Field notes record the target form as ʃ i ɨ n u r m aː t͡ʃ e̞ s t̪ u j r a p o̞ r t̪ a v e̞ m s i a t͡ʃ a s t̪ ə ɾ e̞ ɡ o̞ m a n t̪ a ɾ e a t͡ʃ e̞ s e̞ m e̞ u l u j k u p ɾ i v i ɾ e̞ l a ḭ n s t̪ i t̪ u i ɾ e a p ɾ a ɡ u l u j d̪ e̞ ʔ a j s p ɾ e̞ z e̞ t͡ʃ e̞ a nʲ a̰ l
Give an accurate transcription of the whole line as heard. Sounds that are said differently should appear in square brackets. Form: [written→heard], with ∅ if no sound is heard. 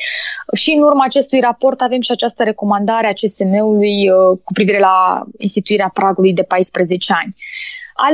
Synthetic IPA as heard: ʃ i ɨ n u r m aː t͡ʃ e̞ s t̪ u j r a p o̞ r t̪ a v e̞ m [s→ʃ] i a t͡ʃ a s t̪ ə ɾ e̞ [ɡ→k] o̞ m a n [t̪→d̪] a ɾ e a t͡ʃ e̞ s e̞ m e̞ u l u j k u p ɾ i v i ɾ e̞ l a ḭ n s t̪ i t̪ u i ɾ e a p ɾ a ɡ u l u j d̪ e̞ [ʔ→p] a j s p ɾ e̞ z e̞ t͡ʃ e̞ a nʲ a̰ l